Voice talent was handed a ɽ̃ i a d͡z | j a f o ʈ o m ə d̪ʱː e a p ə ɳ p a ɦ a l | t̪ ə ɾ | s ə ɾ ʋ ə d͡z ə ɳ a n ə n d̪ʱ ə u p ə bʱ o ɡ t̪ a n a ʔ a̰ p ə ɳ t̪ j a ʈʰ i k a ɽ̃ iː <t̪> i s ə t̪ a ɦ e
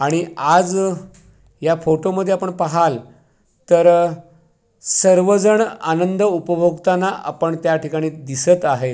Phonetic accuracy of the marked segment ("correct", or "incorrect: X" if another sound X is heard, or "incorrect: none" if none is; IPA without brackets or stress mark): incorrect: d̪